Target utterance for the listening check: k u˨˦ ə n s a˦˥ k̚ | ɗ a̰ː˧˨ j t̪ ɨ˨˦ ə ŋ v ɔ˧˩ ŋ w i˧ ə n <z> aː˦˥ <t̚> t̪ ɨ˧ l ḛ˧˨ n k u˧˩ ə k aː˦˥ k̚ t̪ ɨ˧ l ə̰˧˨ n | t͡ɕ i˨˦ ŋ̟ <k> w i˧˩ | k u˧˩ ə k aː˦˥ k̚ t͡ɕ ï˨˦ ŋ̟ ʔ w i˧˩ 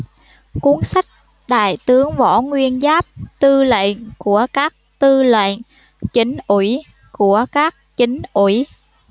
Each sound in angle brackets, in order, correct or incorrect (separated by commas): correct, incorrect, incorrect